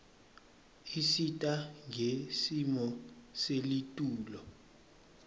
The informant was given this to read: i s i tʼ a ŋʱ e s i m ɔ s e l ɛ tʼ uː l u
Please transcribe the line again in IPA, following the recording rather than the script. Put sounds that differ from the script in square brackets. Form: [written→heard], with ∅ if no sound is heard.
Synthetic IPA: i s i tʼ a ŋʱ e s i m ɔ s e l [ɛ→i] tʼ uː l [u→ɔ]